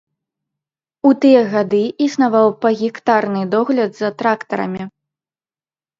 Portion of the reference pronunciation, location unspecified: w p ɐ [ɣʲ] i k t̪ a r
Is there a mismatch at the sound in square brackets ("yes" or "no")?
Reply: no